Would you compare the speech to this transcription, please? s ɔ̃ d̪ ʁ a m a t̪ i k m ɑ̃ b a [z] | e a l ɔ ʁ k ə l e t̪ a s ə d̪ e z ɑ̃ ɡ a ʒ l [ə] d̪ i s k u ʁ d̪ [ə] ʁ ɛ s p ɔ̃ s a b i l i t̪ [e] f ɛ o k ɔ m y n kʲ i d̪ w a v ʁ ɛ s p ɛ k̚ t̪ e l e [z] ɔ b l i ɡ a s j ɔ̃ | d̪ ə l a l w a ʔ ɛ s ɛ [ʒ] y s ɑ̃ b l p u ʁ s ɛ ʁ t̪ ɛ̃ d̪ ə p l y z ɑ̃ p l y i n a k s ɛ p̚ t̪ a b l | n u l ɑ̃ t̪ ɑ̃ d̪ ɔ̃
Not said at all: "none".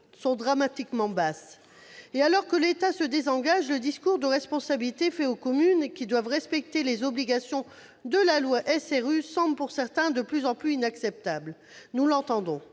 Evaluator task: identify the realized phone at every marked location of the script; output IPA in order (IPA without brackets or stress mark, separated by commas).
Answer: s, ə, ə, e, z, ʁ